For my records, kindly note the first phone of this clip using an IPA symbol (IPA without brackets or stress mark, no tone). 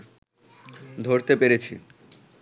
d̪ʱ